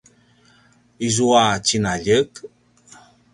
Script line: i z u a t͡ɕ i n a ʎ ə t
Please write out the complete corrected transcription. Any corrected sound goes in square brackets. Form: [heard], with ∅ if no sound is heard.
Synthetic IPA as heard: i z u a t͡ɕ i n a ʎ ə [k]